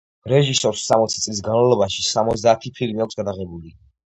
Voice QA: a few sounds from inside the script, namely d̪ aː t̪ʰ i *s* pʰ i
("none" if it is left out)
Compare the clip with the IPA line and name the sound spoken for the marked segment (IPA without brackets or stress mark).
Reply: none